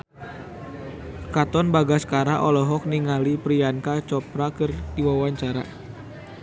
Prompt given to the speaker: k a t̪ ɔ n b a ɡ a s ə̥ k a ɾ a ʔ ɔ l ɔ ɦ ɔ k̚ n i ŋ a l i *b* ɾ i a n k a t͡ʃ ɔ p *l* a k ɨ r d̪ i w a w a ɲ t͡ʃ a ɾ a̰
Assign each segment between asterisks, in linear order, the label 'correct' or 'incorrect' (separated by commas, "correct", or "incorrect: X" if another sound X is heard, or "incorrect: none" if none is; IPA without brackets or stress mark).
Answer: incorrect: p, incorrect: ɾ